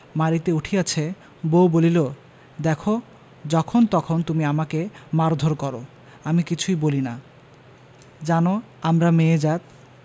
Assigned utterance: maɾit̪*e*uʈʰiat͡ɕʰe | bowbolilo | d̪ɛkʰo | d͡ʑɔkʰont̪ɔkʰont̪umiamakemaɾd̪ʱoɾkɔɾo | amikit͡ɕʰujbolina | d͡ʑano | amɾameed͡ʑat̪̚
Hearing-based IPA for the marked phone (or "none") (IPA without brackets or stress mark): e